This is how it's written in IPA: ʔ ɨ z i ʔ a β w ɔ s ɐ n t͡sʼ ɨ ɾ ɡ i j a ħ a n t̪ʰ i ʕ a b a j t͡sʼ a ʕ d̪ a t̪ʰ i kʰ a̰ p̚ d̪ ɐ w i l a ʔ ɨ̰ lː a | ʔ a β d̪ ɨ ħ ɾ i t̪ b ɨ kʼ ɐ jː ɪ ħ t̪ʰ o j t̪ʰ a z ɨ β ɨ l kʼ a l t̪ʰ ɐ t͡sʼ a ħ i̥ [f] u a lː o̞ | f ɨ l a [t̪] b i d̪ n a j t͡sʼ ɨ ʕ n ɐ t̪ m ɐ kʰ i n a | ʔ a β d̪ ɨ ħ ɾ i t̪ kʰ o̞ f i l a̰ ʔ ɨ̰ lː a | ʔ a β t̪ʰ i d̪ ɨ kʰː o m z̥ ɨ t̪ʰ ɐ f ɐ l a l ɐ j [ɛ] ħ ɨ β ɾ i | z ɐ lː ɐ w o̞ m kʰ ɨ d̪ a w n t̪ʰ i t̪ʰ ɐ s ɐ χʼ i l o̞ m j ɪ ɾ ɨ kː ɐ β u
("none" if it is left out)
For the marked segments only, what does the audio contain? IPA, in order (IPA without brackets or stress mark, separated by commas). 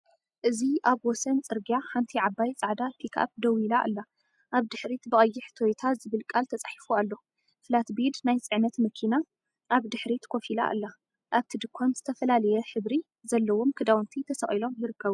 f, t̪, ɛ